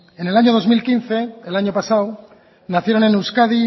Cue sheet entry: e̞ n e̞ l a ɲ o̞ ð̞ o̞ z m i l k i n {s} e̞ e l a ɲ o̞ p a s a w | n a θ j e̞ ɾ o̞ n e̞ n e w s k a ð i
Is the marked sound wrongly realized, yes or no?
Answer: yes